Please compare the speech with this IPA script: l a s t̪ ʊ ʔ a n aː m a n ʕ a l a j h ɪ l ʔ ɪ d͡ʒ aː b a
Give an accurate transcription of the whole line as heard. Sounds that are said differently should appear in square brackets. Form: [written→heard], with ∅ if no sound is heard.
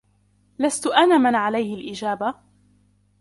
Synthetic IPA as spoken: l a s t̪ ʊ ʔ a n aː m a n ʕ a l a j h ɪ l ʔ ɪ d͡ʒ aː b a